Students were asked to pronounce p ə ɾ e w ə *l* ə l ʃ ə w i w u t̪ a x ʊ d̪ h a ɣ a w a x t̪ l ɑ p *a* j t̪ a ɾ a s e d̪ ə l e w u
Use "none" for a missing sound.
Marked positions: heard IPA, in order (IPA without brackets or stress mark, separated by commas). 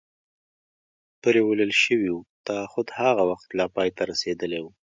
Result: l, ɑ